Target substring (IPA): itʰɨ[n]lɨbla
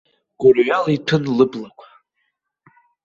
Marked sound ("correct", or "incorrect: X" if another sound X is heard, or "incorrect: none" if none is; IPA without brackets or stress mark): correct